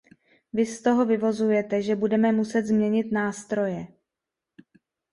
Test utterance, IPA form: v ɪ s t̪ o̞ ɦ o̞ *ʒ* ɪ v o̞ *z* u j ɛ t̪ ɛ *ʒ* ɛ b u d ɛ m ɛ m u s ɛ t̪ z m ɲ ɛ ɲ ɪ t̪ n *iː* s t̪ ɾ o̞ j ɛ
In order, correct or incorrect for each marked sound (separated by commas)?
incorrect, correct, correct, incorrect